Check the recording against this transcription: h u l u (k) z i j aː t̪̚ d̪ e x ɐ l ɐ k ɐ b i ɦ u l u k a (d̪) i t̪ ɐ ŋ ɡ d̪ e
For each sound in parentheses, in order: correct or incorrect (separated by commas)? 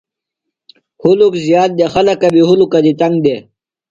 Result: correct, correct